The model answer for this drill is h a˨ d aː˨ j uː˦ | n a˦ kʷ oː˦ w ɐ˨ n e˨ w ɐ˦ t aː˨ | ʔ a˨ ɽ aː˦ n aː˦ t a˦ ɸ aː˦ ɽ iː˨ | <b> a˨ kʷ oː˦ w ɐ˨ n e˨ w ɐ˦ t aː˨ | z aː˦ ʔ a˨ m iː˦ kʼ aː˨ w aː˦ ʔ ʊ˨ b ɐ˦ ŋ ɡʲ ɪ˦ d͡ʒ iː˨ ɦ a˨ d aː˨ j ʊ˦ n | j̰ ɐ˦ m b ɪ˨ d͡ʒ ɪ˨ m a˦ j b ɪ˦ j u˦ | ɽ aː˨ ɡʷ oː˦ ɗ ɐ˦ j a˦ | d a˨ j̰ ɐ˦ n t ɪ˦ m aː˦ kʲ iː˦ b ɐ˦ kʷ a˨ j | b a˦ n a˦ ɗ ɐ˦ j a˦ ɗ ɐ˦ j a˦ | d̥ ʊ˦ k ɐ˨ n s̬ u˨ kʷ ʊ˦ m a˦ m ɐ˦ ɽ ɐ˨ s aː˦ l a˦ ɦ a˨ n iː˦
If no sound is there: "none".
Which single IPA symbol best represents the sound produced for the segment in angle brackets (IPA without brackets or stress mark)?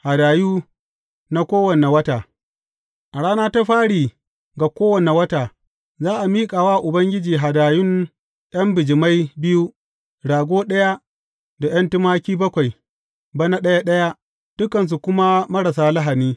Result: ɡ